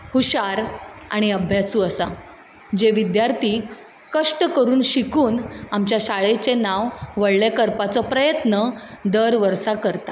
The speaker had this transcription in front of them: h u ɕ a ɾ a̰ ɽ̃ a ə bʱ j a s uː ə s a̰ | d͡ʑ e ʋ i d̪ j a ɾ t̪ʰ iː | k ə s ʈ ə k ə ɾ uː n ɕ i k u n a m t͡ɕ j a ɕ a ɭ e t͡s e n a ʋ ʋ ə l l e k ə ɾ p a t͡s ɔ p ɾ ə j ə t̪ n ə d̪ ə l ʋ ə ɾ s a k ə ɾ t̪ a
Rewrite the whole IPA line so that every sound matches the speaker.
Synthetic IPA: h u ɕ a ɾ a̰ ɽ̃ i ə bʱ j a s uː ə s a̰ | d͡ʑ e ʋ i d̪ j a ɾ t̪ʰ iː | k ə ʂ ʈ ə k ə ɾ uː n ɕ i k uː n a m t͡ɕ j a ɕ a ɭ e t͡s e n a ʋ ʋ ə ɽ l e k ə ɾ p a t͡s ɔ p ɾ ə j ə t̪ n ə d̪ ə ɾ ʋ ə ɾ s a k ə ɾ t̪ a